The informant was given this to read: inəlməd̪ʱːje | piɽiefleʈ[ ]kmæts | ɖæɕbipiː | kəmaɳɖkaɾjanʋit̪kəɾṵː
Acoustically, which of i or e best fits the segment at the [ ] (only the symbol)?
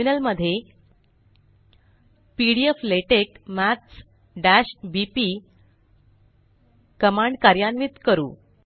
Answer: e